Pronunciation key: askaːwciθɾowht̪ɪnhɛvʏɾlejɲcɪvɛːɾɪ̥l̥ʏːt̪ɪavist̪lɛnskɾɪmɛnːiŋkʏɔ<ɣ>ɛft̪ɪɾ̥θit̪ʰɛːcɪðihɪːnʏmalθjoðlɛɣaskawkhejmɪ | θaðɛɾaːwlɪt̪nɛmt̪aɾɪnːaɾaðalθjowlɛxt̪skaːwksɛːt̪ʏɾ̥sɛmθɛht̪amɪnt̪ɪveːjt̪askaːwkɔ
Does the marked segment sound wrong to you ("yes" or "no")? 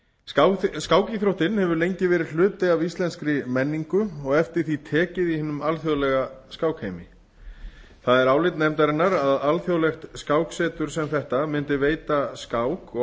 no